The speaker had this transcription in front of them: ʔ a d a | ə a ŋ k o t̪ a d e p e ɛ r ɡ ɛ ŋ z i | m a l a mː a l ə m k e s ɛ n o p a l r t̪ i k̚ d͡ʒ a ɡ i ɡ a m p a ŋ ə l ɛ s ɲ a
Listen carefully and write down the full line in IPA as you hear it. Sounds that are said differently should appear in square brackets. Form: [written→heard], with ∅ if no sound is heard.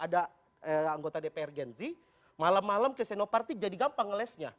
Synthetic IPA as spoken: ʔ a d a | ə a ŋ [k→ɡ] o t̪ a d e p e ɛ r ɡ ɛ [ŋ→n] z i | m a l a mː a l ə m k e s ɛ n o p a [l→∅] r t̪ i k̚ d͡ʒ a [ɡ→d] i ɡ a m p a ŋ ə l ɛ s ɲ a